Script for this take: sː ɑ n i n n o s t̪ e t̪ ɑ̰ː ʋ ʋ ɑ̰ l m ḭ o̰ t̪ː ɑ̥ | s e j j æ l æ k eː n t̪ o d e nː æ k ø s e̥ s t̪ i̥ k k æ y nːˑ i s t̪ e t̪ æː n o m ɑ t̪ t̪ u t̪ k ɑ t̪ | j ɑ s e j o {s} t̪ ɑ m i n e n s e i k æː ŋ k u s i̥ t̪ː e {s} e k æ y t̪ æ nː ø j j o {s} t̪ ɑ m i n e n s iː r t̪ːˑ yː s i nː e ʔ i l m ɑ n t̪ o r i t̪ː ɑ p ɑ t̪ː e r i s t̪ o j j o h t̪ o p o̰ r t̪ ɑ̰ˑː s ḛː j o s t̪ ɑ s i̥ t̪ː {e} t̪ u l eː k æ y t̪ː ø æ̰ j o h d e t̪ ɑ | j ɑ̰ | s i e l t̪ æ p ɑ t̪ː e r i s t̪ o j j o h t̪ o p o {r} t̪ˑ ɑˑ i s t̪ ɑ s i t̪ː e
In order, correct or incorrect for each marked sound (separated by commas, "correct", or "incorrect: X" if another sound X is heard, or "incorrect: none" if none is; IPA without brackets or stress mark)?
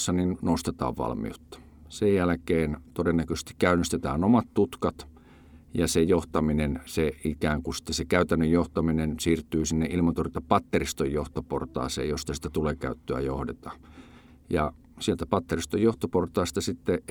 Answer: incorrect: h, correct, incorrect: h, incorrect: æ, correct